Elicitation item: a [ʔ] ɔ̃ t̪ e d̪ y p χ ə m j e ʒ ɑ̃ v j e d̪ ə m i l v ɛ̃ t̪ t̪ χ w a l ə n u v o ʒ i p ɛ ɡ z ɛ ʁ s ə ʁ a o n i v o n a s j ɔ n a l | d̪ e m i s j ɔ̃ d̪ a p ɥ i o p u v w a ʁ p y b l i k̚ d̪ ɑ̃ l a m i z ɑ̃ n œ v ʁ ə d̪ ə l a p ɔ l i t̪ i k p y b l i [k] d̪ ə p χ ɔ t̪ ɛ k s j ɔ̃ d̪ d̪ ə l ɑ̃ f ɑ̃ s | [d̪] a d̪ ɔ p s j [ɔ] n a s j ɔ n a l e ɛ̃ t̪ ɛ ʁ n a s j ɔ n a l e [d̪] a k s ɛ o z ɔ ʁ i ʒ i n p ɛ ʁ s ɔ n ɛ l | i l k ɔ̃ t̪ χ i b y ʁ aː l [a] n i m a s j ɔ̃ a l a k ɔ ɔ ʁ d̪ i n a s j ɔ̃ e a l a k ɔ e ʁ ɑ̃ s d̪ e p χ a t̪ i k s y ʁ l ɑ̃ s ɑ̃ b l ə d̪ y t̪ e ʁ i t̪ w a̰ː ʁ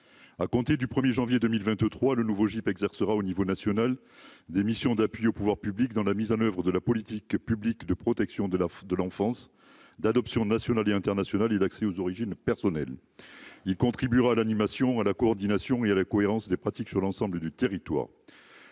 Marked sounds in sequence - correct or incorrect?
incorrect, correct, correct, incorrect, correct, correct

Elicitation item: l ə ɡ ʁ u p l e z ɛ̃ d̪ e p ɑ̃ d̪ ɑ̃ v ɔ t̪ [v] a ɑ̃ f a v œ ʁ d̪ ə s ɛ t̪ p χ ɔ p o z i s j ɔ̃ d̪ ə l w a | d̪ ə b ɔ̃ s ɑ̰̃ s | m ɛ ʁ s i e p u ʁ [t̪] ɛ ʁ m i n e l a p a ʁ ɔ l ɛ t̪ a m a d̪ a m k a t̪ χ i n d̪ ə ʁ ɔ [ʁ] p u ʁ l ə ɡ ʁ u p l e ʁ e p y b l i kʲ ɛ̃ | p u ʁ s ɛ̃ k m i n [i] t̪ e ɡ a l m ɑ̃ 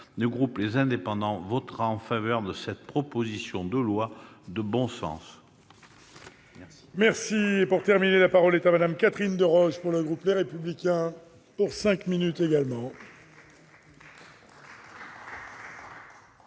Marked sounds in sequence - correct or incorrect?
incorrect, correct, incorrect, incorrect

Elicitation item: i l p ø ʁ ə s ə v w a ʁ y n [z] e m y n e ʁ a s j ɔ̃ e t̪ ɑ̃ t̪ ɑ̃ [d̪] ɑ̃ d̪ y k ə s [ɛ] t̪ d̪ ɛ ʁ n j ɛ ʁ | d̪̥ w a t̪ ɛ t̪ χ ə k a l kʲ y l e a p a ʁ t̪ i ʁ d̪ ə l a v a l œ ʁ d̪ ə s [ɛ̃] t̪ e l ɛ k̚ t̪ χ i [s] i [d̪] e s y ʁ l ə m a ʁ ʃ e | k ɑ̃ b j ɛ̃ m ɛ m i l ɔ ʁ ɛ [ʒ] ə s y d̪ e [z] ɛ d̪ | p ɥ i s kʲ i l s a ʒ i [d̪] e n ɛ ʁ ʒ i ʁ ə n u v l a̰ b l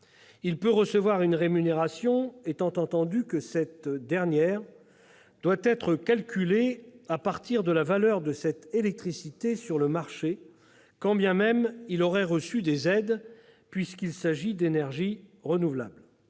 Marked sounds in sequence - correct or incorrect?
incorrect, incorrect, correct, incorrect, correct, incorrect, incorrect, correct, correct

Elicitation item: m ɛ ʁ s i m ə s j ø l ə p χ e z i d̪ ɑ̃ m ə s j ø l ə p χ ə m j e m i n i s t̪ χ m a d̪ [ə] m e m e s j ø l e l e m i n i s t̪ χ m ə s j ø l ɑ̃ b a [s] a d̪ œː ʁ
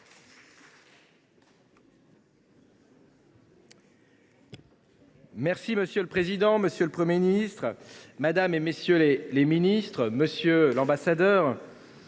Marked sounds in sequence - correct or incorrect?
incorrect, correct

